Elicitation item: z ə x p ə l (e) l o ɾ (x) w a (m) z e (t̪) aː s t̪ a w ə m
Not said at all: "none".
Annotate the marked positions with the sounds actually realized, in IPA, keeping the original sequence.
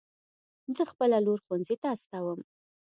a, x, n, t̪

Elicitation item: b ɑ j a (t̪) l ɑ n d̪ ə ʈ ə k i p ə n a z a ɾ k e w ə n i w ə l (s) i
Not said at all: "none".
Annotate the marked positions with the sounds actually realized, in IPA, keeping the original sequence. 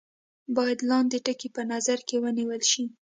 d̪, ʃ

